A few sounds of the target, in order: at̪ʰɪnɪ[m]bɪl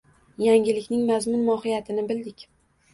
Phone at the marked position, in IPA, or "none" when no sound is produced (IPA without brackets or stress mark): none